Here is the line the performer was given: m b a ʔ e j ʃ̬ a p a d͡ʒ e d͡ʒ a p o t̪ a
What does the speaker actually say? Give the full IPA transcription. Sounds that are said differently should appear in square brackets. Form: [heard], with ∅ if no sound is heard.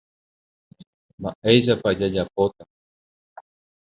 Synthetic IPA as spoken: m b a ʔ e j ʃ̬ a p a d͡ʒ [a] d͡ʒ a p o t̪ a